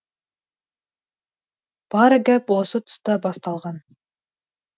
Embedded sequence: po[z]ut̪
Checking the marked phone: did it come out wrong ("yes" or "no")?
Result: yes